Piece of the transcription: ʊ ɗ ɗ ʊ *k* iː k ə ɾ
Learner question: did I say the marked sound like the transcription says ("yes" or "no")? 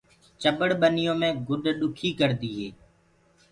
no